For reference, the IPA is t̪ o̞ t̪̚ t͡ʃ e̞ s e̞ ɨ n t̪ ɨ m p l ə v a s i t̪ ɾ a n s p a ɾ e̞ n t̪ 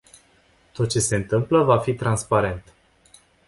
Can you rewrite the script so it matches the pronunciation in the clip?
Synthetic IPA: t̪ o̞ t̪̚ t͡ʃ e̞ s e̞ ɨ n t̪ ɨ m p l ə v a f i t̪ ɾ a n s p a ɾ e̞ n t̪